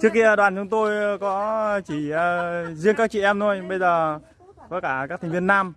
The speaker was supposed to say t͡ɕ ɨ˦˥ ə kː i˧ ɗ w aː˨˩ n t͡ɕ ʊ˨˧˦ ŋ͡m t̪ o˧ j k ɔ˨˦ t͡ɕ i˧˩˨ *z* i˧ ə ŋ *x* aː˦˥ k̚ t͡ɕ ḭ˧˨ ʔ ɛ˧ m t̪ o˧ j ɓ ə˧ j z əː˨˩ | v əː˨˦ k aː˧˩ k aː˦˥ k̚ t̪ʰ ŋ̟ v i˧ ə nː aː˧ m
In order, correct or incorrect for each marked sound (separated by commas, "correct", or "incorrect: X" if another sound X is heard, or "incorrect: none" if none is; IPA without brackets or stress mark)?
correct, incorrect: k